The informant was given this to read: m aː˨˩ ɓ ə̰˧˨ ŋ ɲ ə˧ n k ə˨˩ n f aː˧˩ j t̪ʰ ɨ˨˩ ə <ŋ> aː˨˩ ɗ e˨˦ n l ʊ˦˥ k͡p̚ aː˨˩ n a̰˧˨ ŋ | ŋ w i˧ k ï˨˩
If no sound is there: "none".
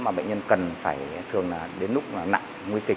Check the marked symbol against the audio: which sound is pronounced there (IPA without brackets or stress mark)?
ŋ